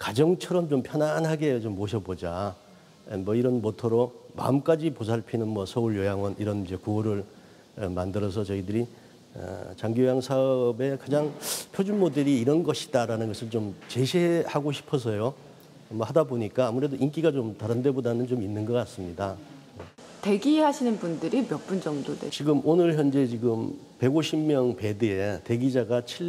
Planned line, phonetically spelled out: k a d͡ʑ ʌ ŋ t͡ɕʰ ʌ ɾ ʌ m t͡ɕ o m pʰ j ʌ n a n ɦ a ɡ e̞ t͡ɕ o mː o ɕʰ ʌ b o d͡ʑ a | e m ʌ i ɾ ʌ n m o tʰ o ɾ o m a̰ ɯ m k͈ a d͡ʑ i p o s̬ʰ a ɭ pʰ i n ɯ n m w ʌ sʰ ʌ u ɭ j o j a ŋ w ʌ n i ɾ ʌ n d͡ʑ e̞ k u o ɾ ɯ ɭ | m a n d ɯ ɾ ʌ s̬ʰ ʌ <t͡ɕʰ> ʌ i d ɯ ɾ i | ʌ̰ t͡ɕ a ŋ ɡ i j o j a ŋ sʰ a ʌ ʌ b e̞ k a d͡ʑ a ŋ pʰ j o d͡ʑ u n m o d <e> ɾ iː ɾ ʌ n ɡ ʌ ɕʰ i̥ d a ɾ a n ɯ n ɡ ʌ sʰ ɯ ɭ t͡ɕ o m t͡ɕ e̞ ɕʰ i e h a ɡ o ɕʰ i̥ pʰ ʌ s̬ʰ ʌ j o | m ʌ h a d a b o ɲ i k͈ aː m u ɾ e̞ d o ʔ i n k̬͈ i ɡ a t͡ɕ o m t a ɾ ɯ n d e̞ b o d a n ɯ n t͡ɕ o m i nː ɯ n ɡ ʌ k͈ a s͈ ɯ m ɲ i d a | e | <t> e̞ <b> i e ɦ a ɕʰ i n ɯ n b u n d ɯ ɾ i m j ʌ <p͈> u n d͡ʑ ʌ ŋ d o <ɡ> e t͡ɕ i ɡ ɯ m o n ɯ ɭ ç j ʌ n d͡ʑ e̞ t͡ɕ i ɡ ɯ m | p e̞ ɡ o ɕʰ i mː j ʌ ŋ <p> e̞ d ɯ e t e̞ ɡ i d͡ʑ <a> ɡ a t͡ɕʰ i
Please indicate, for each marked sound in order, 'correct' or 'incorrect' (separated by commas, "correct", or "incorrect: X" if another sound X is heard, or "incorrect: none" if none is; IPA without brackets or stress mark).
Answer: incorrect: t͡ɕ, correct, correct, incorrect: ɡ, correct, incorrect: d, correct, correct